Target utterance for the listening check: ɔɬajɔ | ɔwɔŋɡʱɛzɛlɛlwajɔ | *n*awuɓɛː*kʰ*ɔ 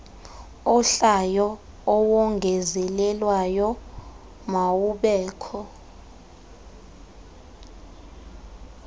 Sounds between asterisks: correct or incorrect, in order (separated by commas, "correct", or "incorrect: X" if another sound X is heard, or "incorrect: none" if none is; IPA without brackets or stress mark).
incorrect: m, correct